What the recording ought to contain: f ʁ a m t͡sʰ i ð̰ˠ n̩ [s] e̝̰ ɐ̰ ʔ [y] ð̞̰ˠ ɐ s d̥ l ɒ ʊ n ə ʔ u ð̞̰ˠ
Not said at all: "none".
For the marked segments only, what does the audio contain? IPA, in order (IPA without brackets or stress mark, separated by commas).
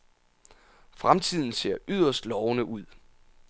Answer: s, y